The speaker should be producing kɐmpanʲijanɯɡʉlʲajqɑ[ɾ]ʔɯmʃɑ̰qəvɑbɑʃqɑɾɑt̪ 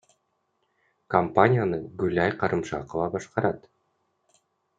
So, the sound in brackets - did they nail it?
yes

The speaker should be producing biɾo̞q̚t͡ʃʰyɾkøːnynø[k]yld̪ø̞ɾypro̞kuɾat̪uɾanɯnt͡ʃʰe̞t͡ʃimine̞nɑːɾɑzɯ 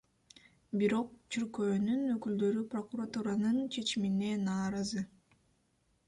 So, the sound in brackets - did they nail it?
yes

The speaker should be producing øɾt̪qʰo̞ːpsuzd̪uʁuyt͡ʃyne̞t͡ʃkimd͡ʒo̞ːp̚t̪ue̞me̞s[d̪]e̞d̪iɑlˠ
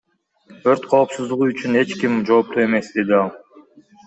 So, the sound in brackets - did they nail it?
yes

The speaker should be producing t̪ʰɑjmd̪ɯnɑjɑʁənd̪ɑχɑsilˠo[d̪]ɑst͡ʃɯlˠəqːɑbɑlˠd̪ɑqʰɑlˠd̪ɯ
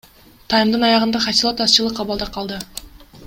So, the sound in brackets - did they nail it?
no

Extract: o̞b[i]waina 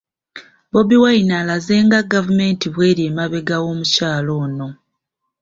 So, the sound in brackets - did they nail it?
yes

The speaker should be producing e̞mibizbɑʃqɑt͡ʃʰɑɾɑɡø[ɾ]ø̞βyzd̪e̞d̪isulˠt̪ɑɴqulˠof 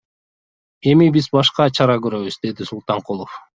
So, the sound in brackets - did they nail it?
yes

